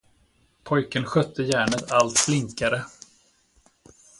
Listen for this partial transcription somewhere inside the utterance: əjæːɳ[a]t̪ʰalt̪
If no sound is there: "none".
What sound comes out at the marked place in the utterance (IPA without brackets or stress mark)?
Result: ə